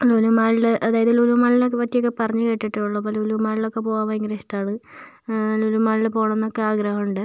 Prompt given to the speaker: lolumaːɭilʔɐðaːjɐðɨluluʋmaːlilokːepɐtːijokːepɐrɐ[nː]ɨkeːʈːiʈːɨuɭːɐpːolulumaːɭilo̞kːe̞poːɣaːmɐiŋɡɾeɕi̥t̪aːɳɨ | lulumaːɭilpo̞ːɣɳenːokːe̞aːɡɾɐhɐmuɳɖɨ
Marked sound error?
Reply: yes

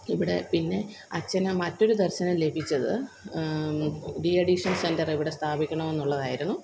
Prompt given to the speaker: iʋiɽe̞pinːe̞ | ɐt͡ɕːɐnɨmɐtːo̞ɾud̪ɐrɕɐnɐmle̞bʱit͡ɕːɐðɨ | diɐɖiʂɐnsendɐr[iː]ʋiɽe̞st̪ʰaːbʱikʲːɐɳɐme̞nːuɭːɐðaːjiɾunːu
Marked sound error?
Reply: yes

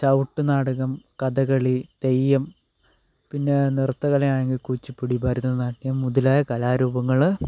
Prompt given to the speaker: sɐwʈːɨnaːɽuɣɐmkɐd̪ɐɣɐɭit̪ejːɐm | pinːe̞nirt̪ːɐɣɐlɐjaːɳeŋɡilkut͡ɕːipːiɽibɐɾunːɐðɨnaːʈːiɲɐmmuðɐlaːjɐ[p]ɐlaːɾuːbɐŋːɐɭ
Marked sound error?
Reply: yes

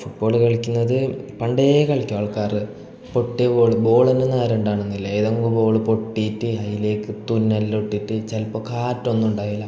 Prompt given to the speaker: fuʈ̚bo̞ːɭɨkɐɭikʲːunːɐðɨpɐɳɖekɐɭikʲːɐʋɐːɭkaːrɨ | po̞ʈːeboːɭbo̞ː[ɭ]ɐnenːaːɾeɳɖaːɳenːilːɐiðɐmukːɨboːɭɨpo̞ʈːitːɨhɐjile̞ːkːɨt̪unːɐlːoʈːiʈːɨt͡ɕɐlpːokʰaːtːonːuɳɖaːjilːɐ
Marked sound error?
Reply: no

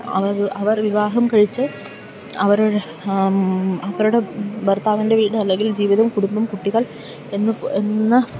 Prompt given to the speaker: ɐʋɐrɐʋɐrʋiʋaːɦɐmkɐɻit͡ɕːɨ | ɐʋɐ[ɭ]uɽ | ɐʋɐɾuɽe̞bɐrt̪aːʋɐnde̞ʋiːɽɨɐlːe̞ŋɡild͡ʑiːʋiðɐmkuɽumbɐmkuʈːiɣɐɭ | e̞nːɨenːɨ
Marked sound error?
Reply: yes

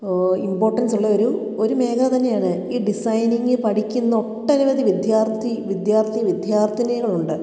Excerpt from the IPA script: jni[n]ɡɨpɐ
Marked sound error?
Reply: yes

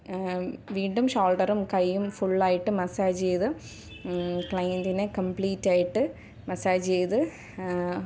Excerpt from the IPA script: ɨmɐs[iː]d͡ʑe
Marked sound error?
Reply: yes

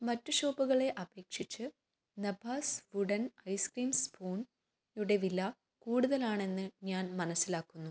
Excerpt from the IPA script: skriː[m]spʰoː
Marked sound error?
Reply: no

